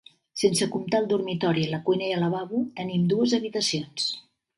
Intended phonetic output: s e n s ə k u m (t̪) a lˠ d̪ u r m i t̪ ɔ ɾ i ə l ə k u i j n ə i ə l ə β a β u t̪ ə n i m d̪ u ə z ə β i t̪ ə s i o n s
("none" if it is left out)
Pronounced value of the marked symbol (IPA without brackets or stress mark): t̪